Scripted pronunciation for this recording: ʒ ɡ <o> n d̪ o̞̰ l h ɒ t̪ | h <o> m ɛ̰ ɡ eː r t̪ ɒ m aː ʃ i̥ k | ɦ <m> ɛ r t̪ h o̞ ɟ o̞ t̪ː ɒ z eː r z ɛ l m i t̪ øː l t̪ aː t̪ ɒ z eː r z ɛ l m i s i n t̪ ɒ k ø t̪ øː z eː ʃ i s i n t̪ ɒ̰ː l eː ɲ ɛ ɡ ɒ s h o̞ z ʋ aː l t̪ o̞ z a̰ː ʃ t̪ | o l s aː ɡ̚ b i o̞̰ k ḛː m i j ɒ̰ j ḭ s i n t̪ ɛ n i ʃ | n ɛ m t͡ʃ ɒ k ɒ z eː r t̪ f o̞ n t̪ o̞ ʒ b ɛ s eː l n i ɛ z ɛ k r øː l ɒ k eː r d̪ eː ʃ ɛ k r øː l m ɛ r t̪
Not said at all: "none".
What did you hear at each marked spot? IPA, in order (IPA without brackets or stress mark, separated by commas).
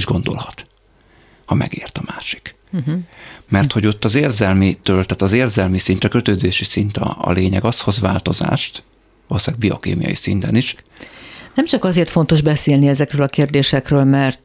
o, ɒ, m